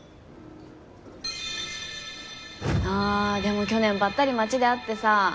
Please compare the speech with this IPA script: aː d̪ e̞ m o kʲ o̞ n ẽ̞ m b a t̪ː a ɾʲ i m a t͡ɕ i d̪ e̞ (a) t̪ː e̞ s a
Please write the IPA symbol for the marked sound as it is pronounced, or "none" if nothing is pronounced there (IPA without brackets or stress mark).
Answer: a